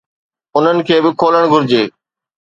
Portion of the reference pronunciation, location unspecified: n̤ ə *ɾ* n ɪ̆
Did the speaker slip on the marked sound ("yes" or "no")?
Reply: yes